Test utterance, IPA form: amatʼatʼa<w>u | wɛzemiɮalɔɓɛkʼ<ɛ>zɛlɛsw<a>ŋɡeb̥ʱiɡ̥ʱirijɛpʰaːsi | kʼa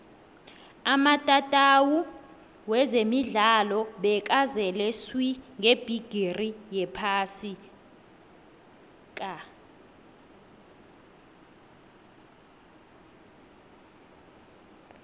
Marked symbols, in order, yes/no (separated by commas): yes, no, no